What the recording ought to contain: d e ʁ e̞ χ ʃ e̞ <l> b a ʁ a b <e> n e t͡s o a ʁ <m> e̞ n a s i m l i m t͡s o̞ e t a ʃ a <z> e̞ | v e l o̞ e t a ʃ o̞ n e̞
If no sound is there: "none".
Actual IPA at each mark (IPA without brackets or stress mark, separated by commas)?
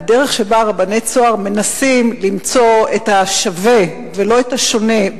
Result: none, a, m, v